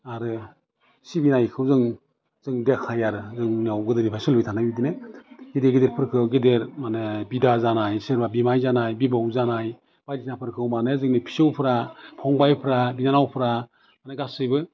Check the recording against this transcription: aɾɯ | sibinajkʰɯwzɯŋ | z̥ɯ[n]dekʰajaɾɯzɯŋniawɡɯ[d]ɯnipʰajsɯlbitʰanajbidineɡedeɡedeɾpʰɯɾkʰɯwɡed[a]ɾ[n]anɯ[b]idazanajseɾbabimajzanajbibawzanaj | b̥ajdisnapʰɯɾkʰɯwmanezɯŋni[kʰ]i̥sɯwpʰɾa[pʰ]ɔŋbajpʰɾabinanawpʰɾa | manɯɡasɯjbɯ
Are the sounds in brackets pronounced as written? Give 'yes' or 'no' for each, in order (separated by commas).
no, yes, no, no, yes, no, yes